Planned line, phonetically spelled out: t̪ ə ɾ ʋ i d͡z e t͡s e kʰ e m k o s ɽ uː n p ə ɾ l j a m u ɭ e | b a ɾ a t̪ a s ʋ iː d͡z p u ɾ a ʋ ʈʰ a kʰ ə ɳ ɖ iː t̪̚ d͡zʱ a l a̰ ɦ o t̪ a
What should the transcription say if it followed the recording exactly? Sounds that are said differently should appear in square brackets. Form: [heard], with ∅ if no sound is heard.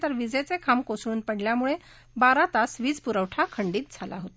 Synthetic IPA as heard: t̪ ə ɾ ʋ i d͡z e t͡s e kʰ [a] m k o s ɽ uː n p ə [ɽ] l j a m u ɭ e | b a ɾ a t̪ a s ʋ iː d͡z p u ɾ [ə] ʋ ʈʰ a kʰ ə ɳ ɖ iː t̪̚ d͡zʱ a l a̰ ɦ o t̪ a